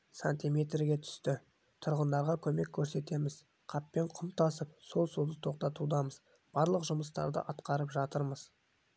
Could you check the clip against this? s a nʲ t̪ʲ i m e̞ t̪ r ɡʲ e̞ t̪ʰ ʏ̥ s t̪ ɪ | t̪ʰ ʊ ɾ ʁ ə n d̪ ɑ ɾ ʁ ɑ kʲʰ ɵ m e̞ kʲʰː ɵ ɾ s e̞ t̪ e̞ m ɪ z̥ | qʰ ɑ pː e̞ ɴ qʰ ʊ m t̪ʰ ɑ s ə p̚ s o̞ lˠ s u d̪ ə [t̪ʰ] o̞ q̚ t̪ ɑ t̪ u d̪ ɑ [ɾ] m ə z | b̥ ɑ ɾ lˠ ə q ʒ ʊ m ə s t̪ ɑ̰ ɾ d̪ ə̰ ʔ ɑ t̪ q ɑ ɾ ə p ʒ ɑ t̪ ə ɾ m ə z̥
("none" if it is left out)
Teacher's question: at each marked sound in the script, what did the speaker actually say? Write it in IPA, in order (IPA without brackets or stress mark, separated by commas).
t̪ʰ, none